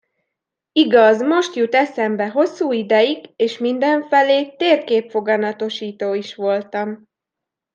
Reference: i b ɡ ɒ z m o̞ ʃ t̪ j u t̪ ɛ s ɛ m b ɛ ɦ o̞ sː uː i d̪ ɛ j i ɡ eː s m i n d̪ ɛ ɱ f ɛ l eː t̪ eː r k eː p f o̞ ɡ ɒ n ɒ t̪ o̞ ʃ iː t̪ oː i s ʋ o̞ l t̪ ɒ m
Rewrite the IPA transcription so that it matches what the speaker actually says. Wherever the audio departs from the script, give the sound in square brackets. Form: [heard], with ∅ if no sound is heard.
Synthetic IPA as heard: i [∅] ɡ ɒ z m o̞ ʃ t̪ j u t̪ ɛ s ɛ m b ɛ ɦ o̞ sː uː i d̪ ɛ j i ɡ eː [ʃ] m i n d̪ ɛ ɱ f ɛ l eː t̪ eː r k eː p f o̞ ɡ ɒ n ɒ t̪ o̞ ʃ iː t̪ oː i [ʃ] ʋ o̞ l t̪ ɒ m

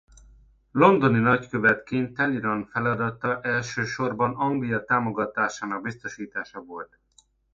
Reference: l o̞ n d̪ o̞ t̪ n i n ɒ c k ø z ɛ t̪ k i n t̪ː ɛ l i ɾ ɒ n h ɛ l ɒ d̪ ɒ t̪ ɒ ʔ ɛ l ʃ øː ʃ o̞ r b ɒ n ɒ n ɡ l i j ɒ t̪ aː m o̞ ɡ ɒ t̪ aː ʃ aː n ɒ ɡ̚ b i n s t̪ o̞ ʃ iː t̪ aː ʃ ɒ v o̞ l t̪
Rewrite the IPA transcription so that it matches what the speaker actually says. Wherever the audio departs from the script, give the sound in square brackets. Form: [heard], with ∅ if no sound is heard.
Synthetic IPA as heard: l o̞ n d̪ o̞ [∅] n i n ɒ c k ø [v] ɛ t̪ k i n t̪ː ɛ l i ɾ ɒ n [f] ɛ l ɒ d̪ ɒ t̪ ɒ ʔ ɛ l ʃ øː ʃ o̞ r b ɒ n ɒ [ŋ] ɡ l i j ɒ t̪ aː m o̞ ɡ ɒ t̪ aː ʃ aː n ɒ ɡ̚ b i [∅] s t̪ o̞ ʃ iː t̪ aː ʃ ɒ v o̞ l t̪

